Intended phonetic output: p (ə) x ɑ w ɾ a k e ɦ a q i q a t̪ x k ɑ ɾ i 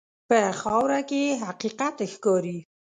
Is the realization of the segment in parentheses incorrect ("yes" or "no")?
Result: no